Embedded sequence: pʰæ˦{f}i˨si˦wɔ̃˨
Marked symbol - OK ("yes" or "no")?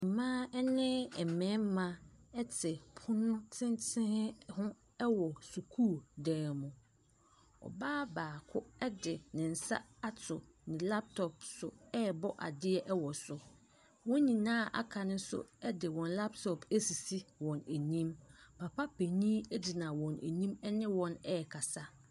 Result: no